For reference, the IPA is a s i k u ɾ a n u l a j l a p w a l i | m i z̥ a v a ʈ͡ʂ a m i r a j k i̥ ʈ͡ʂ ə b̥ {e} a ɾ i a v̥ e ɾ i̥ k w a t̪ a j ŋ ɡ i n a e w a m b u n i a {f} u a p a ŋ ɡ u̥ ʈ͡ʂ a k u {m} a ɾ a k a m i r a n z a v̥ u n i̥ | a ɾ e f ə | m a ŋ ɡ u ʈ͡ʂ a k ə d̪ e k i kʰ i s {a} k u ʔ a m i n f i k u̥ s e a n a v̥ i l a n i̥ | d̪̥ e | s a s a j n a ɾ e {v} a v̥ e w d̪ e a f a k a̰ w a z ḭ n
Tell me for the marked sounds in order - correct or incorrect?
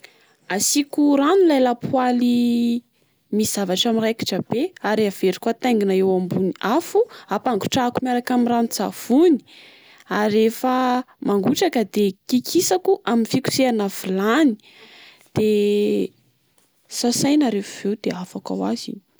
correct, correct, correct, correct, incorrect

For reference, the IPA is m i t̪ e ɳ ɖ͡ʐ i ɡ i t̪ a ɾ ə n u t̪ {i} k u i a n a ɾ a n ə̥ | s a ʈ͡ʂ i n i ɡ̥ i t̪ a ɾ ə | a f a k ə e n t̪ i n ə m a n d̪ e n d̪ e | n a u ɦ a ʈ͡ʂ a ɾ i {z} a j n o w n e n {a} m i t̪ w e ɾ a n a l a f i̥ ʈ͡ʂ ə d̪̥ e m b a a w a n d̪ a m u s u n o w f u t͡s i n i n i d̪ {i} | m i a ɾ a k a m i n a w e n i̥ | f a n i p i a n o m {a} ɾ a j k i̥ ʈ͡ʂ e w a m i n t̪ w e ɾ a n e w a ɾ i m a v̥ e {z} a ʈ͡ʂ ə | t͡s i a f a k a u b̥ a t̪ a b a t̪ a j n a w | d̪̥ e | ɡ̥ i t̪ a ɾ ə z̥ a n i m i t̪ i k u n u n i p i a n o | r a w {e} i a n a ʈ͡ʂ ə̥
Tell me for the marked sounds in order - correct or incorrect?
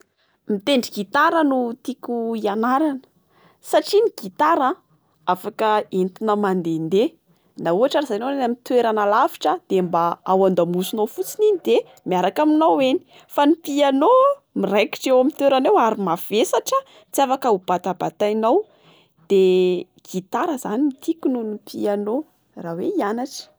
correct, correct, correct, incorrect, incorrect, incorrect, correct

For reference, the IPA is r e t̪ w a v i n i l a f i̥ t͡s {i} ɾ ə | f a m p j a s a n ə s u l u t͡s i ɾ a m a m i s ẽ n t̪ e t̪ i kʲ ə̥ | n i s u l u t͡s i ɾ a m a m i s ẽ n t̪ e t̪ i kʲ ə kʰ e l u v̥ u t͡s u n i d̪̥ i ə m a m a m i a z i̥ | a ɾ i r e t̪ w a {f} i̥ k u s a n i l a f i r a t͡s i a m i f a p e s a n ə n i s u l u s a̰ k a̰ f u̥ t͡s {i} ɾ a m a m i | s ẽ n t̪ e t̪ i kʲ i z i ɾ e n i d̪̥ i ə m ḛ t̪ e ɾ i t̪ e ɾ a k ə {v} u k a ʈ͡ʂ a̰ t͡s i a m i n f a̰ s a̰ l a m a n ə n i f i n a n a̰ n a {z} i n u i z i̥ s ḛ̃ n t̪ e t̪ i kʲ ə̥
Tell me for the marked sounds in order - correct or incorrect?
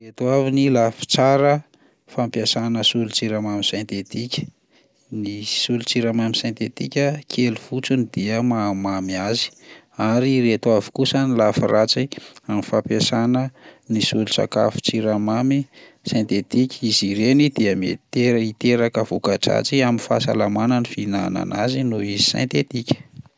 incorrect, incorrect, correct, correct, correct

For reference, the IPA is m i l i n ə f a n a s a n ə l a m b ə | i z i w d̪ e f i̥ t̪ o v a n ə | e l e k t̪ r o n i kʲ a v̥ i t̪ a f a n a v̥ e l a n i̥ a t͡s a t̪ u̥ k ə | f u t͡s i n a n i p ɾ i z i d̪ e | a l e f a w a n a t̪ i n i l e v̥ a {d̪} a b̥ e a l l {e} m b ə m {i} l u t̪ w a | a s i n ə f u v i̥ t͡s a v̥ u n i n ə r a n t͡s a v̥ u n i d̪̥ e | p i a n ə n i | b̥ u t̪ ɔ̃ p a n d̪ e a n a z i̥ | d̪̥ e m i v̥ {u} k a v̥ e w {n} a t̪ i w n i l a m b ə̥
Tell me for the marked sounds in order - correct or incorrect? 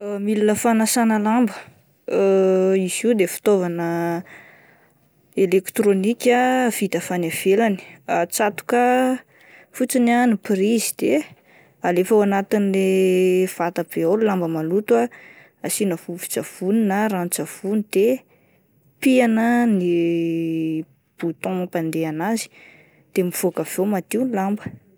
incorrect, incorrect, incorrect, incorrect, incorrect

